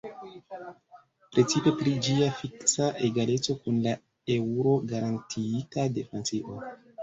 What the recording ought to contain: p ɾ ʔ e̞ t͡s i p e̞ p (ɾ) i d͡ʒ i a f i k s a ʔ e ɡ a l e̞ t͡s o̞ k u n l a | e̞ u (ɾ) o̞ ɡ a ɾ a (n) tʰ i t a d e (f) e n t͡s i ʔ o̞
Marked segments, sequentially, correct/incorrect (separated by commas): correct, correct, correct, correct